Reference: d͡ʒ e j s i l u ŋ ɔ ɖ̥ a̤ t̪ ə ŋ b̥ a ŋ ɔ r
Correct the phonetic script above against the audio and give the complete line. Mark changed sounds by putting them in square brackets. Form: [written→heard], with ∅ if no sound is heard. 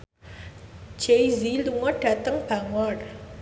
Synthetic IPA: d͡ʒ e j [s→z] i l u ŋ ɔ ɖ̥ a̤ t̪ ə ŋ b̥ a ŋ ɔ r